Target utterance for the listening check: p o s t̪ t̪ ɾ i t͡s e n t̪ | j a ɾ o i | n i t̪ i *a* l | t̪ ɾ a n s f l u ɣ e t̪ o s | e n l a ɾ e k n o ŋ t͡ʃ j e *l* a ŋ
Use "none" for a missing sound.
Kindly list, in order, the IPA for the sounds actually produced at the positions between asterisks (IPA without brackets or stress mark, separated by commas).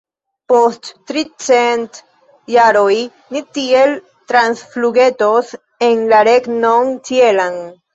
e, l